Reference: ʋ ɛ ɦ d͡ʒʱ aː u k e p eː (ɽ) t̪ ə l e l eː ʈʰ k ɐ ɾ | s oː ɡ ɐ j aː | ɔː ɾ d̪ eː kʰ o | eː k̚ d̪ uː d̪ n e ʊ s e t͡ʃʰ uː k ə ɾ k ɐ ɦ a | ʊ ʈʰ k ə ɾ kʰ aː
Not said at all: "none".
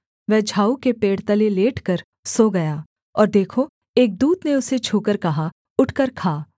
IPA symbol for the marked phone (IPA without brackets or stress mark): ɽ